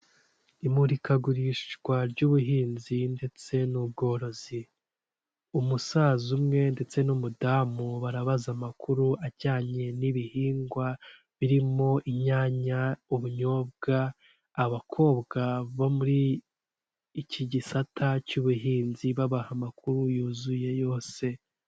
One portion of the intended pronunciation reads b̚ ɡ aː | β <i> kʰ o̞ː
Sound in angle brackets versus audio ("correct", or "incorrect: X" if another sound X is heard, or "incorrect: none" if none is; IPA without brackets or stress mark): incorrect: a